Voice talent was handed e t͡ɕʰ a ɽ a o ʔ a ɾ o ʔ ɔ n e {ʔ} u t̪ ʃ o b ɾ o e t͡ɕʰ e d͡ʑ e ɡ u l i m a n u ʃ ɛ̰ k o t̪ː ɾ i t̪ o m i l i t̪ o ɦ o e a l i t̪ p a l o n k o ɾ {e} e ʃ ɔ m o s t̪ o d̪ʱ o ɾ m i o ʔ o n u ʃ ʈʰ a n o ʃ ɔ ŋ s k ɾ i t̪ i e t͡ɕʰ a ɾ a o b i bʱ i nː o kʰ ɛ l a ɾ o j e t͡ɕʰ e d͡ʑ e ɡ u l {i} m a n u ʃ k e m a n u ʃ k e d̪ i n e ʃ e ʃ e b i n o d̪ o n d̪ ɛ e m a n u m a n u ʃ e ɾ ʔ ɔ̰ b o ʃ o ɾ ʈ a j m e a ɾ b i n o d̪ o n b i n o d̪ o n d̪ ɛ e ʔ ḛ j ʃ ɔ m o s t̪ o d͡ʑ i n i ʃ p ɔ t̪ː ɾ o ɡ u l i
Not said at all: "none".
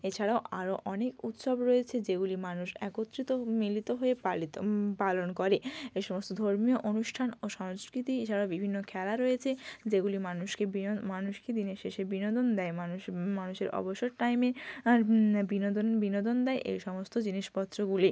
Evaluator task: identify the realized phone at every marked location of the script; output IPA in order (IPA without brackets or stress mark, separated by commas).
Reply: k, e, i